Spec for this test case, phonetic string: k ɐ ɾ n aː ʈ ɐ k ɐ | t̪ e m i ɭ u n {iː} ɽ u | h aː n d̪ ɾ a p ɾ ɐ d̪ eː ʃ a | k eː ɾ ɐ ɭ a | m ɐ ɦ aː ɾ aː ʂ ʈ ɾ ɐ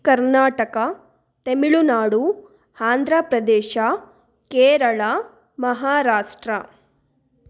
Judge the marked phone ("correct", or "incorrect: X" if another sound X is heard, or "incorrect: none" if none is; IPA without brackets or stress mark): incorrect: aː